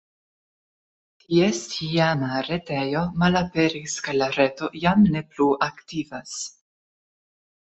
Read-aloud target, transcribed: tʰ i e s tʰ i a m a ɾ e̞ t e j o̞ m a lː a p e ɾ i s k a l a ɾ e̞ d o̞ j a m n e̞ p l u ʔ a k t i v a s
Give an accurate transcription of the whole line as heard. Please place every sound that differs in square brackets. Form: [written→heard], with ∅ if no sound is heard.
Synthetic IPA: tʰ i e s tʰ i a m a ɾ e̞ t e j o̞ m a [lː→l] a p e ɾ i s k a l a ɾ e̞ [d→t] o̞ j a m n e̞ p l u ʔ a k t i v a s